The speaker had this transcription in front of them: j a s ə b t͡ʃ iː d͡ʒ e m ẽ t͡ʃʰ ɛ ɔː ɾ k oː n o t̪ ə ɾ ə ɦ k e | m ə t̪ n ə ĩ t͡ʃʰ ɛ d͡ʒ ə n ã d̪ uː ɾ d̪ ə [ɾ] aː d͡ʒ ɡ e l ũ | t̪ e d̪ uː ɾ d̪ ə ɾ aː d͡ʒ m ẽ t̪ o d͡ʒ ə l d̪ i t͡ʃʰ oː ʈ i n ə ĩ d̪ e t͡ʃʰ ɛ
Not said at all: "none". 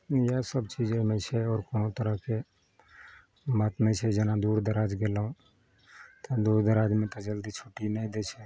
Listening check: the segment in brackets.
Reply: ɾ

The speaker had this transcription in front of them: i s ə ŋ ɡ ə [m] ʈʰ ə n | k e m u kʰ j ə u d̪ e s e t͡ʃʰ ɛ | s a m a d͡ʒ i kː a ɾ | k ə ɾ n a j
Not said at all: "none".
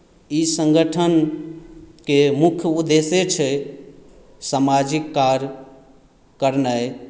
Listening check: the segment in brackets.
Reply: none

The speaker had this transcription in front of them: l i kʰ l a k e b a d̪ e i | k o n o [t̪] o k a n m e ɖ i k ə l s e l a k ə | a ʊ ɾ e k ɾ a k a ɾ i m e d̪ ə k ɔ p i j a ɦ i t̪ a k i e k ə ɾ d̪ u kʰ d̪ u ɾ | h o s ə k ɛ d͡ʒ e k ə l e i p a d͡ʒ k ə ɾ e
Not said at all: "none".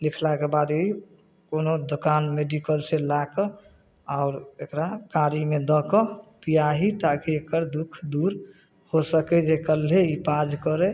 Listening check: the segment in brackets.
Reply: d̪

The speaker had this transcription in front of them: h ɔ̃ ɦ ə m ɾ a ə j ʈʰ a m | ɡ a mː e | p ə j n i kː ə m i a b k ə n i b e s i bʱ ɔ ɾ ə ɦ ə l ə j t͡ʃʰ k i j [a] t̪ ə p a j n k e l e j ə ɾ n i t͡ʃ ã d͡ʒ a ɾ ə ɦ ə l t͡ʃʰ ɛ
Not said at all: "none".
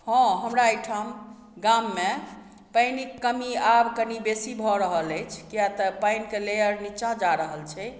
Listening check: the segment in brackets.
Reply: a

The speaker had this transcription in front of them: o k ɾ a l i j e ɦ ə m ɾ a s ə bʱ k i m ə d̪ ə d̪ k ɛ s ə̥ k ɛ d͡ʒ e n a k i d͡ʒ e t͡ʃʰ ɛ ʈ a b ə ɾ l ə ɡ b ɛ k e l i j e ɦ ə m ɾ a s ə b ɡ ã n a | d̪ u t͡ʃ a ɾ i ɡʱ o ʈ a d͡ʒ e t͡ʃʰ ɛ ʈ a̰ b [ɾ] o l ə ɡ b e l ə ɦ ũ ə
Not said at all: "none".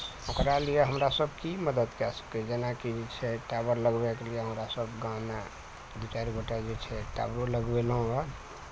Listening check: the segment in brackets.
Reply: ɾ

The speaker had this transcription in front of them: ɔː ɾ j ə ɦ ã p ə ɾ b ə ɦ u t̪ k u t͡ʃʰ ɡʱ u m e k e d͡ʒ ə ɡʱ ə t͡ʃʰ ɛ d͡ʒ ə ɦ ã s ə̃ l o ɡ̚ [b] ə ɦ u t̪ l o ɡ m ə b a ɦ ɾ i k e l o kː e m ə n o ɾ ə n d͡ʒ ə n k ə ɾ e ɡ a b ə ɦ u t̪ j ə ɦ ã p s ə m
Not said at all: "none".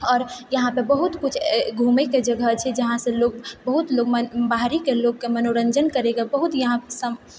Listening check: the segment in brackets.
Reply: b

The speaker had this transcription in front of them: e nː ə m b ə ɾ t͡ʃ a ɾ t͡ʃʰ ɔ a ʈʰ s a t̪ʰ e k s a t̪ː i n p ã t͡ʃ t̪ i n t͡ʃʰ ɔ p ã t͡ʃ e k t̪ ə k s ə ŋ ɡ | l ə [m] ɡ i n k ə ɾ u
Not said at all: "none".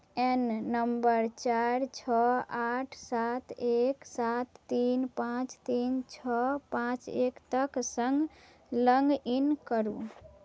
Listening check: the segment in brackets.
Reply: ŋ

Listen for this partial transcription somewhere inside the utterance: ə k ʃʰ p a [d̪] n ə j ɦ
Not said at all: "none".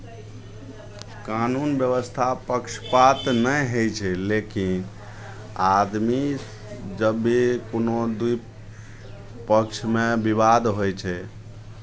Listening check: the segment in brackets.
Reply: t̪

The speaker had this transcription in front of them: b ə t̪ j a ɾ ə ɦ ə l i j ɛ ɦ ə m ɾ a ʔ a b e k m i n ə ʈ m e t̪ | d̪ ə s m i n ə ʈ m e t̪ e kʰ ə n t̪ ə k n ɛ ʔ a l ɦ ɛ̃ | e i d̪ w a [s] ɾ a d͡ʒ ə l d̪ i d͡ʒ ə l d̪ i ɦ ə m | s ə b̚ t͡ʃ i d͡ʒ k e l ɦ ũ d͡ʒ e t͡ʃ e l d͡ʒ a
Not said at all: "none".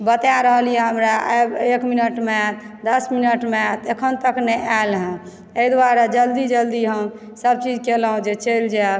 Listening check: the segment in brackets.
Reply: none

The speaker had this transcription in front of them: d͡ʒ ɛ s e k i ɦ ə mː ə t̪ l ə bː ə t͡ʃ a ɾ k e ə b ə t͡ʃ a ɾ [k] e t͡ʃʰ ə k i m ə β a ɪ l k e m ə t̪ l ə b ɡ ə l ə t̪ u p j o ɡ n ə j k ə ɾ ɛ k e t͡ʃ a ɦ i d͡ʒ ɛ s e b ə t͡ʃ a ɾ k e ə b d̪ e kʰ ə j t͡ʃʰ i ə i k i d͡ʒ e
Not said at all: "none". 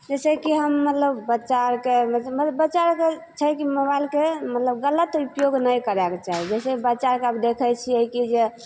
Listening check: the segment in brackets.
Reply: k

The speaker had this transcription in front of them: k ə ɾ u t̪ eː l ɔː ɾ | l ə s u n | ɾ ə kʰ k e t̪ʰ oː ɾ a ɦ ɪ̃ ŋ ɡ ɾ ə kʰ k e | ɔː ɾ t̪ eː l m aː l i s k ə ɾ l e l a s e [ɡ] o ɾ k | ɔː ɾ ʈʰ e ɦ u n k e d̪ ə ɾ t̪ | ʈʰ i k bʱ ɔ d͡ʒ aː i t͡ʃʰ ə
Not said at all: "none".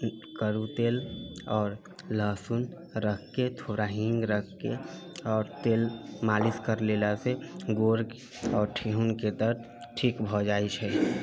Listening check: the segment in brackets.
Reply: ɡ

